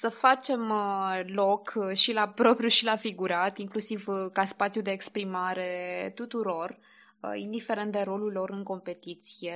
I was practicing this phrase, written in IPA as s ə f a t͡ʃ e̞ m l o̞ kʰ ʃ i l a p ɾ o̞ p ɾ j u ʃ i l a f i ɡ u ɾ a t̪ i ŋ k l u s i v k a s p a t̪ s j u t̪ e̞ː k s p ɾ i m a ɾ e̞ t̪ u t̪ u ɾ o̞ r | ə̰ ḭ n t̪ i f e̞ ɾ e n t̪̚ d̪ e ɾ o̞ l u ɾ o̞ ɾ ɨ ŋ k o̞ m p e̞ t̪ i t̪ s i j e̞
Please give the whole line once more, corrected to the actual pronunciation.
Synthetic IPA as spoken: s ə f a t͡ʃ e̞ m l o̞ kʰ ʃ i l a p ɾ o̞ p ɾ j u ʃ i l a f i ɡ u ɾ a t̪ i ŋ k l u s i v k a s p a t̪ s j u d̪ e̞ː k s p ɾ i m a ɾ e̞ t̪ u t̪ u ɾ o̞ r | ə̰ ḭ n d̪ i f e̞ ɾ e n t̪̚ d̪ e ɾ o̞ l u l o̞ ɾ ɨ ŋ k o̞ m p e̞ t̪ i t̪ s i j e̞